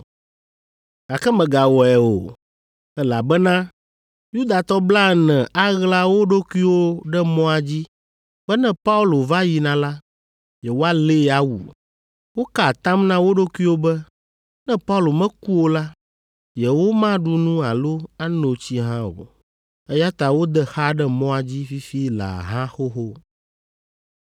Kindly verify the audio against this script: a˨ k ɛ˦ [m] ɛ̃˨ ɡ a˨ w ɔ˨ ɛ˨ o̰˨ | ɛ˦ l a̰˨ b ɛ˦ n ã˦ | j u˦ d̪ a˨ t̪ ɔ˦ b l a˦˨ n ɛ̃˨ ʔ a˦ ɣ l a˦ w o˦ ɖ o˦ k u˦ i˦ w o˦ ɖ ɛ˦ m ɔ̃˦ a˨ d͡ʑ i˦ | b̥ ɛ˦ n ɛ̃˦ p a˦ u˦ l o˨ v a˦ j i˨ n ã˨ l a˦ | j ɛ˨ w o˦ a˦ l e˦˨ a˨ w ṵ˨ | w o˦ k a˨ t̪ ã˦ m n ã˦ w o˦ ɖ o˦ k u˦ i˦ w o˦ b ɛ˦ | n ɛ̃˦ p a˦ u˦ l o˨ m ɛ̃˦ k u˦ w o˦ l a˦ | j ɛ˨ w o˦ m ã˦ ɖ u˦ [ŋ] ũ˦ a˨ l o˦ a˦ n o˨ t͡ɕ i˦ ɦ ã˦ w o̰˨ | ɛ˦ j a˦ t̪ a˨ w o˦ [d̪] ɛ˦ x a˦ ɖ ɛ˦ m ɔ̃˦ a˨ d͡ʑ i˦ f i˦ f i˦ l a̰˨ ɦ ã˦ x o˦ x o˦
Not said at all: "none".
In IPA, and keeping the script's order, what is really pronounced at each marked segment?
m, n, d̪

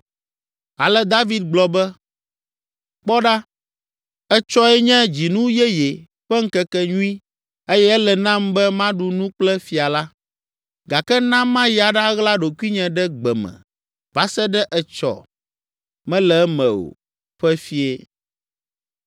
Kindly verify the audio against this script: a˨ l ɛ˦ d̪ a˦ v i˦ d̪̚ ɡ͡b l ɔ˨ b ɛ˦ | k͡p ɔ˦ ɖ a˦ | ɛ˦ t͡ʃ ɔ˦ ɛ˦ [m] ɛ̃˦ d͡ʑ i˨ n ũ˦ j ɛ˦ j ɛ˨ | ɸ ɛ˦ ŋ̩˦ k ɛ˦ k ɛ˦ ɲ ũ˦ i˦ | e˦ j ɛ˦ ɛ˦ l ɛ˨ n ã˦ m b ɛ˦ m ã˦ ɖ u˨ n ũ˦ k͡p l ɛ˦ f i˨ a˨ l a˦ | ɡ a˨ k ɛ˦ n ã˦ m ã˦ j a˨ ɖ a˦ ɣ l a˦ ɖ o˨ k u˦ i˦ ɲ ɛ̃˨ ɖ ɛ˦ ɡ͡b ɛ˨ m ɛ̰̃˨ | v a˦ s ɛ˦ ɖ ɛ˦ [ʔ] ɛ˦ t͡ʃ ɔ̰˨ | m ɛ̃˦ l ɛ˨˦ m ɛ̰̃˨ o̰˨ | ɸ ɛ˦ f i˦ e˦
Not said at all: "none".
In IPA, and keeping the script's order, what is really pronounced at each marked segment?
ɲ, ʔ

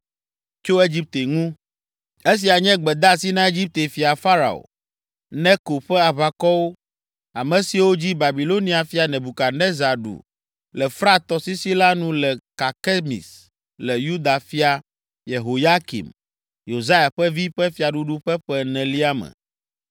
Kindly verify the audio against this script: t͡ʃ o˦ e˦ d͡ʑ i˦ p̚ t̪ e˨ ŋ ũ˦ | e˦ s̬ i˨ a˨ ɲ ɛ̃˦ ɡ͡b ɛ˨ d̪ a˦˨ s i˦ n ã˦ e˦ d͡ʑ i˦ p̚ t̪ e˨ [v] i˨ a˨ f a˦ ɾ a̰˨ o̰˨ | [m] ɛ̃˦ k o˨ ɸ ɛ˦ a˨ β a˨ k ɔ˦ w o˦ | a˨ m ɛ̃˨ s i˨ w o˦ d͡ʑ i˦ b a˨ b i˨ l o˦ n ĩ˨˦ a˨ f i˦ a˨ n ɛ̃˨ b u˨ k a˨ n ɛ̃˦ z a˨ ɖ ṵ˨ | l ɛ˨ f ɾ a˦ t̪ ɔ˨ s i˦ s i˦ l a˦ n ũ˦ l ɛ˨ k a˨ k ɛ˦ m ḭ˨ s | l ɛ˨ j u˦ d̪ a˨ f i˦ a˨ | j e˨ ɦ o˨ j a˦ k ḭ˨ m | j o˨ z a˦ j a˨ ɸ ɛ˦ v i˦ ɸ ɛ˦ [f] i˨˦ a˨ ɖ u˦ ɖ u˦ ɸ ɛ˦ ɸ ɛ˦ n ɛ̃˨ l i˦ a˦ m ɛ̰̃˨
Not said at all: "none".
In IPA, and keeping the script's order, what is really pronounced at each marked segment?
f, n, f

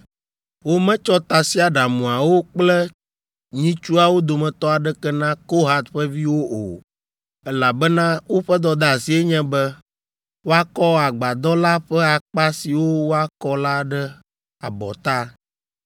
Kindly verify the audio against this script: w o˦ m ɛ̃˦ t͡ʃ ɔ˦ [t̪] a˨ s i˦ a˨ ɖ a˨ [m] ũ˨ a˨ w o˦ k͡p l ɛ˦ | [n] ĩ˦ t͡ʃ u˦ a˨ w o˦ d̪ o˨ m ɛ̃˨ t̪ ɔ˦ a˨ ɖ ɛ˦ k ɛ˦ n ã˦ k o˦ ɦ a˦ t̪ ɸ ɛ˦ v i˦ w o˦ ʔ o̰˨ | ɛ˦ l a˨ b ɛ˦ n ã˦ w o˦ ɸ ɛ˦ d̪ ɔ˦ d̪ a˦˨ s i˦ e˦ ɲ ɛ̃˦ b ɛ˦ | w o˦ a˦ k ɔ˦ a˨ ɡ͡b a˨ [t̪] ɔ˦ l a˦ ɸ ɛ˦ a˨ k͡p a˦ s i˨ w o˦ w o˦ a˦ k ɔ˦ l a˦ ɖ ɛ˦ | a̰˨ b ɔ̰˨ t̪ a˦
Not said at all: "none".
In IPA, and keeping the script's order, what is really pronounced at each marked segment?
t̪, m, ɲ, d̪

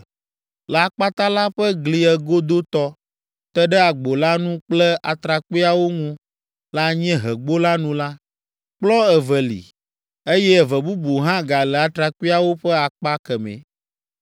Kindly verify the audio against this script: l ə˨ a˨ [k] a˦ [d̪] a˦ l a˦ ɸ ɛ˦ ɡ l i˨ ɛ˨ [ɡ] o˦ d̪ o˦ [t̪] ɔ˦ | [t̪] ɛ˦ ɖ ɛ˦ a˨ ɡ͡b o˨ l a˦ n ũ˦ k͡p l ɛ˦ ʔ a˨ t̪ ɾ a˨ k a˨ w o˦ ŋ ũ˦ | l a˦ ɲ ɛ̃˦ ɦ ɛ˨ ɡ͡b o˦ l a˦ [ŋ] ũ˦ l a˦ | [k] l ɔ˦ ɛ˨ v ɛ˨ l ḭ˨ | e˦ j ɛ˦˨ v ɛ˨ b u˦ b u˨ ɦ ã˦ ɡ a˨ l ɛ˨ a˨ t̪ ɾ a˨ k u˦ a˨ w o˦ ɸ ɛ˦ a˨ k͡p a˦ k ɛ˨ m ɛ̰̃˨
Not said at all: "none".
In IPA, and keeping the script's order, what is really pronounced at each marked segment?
k͡p, t̪, ɡ, t̪, t̪, n, k͡p

